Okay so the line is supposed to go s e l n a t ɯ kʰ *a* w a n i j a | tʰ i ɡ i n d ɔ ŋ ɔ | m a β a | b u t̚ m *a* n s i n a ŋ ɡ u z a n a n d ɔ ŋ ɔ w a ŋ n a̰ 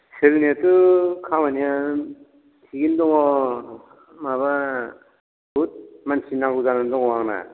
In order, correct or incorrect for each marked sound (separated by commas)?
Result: correct, correct